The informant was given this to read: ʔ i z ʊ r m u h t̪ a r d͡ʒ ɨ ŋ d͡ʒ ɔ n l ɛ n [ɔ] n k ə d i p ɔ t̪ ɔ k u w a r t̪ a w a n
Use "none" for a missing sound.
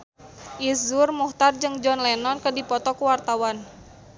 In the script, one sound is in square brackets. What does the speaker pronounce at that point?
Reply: ɔ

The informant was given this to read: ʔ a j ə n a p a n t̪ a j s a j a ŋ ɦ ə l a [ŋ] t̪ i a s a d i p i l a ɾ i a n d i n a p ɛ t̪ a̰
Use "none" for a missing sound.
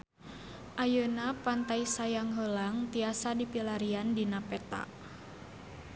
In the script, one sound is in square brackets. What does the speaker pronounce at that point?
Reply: ŋ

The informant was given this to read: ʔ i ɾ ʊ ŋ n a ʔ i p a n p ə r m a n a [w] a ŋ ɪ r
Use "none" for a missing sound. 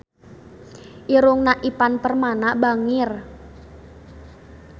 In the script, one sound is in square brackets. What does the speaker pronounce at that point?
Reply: b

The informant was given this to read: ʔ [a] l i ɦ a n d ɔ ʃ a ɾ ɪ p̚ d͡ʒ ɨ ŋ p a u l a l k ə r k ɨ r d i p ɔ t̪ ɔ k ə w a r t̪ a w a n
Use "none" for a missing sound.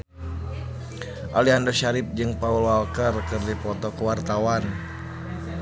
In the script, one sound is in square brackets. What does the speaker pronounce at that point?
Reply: a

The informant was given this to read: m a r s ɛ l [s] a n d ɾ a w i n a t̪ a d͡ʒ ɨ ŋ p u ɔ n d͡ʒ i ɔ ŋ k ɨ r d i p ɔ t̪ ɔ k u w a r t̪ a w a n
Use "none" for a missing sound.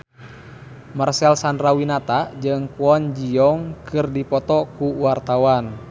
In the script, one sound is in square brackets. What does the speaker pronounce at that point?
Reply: s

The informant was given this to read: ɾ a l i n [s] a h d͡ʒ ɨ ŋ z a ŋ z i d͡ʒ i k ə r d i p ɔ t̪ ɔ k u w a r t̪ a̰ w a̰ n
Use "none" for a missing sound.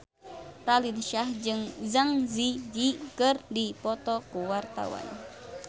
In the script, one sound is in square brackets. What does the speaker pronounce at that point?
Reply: ʃ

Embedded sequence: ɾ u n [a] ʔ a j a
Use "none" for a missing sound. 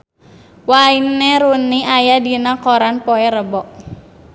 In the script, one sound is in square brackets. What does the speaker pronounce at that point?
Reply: i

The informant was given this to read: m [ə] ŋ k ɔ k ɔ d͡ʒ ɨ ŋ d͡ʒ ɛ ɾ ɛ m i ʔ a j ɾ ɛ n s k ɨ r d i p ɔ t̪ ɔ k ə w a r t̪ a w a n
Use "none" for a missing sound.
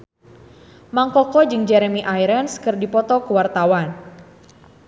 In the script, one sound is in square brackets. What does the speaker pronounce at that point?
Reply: a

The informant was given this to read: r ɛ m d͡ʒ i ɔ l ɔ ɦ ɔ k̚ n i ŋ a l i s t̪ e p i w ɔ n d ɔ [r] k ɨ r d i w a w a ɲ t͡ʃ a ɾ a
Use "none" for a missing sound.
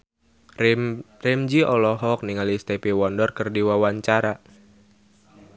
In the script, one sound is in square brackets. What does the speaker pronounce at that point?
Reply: r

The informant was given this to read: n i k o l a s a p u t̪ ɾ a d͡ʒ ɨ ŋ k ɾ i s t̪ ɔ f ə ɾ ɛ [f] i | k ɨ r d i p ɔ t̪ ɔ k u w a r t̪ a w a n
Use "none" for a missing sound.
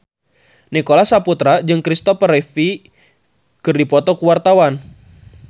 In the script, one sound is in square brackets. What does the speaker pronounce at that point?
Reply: f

